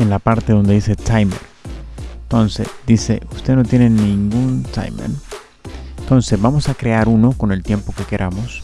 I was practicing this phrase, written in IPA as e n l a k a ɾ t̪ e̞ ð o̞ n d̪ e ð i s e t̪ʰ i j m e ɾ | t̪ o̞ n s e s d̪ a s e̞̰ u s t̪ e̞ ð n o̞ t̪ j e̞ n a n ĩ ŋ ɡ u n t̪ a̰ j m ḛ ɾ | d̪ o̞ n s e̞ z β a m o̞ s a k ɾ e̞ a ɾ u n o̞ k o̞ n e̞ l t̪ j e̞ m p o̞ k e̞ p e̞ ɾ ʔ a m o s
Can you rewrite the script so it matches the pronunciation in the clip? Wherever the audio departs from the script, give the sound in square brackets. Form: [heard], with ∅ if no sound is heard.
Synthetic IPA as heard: e n l a [p] a ɾ t̪ e̞ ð o̞ n d̪ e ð i s e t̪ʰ [a] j m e ɾ | t̪ o̞ n s e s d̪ [i] s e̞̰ u s t̪ e̞ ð n o̞ t̪ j e̞ n [e] n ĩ ŋ ɡ u n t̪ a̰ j m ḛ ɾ | [t̪] o̞ n s e̞ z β a m o̞ s a k ɾ e̞ a ɾ u n o̞ k o̞ n e̞ l t̪ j e̞ m p o̞ k e̞ [k] e̞ ɾ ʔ a m o s

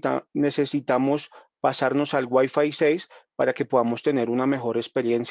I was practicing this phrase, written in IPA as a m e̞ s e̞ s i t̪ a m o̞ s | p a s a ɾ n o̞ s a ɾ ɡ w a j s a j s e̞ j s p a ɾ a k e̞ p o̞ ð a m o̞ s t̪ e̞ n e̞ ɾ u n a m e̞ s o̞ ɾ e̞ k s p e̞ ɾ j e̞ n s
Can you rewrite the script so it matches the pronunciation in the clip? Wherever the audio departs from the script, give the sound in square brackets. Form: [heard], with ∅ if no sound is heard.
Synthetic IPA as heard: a [n] e̞ s e̞ s i t̪ a m o̞ s | p a s a ɾ n o̞ s a [l] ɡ w a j [f] a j s e̞ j s p a ɾ a k e̞ p o̞ ð a m o̞ s t̪ e̞ n e̞ ɾ u n a m e̞ [x] o̞ ɾ e̞ k s p e̞ ɾ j e̞ n s

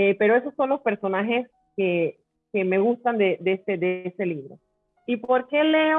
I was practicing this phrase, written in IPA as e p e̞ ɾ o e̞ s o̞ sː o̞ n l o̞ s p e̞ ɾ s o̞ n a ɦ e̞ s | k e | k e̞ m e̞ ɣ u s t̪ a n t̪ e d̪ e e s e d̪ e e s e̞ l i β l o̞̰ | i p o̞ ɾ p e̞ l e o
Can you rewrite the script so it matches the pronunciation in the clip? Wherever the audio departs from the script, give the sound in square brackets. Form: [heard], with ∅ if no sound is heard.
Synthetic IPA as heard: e p e̞ ɾ o e̞ s o̞ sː o̞ n l o̞ s p e̞ ɾ s o̞ n a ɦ e̞ s | k e | k e̞ m e̞ ɣ u s t̪ a n [d̪] e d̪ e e s e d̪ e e s e̞ l i β [ɾ] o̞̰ | i p o̞ ɾ [k] e̞ l e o

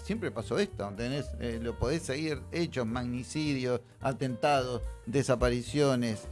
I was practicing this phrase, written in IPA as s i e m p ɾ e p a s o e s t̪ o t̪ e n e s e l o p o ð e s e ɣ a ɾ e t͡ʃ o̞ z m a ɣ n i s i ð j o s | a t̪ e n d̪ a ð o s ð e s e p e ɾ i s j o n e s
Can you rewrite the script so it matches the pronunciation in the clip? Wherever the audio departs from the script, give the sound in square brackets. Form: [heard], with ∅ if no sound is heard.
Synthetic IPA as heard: s [j] e m p ɾ e p a s o e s t̪ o t̪ e n e s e l o p o ð e s e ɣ [i] ɾ e t͡ʃ o̞ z m a ɣ n i s i ð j o s | a t̪ e n [t̪] a ð o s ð e s [a] p [a] ɾ i s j o n e s

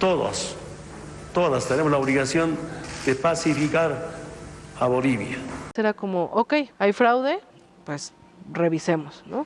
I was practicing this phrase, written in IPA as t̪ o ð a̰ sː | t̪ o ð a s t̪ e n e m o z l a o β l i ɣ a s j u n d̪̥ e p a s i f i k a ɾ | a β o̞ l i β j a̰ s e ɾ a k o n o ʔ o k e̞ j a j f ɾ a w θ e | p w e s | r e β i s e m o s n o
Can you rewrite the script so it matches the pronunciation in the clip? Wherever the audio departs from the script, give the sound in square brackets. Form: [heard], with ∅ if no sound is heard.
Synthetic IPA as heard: t̪ o ð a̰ [s] | t̪ o ð a s t̪ e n e m o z l a o β l i ɣ a s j [o] n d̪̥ e p a s i f i k a ɾ | a β o̞ l i β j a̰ s e ɾ a k o [m] o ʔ o k e̞ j a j f ɾ a w [ð] e | p w e s | r e β i s e m o s n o

